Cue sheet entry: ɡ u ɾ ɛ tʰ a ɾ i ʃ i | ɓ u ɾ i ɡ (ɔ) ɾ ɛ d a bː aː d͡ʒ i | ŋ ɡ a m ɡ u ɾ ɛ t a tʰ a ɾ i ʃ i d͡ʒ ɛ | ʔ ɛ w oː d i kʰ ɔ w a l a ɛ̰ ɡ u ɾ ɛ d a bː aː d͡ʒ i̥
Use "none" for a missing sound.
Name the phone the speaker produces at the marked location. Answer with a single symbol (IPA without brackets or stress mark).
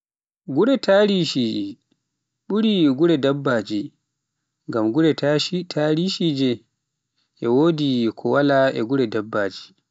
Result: u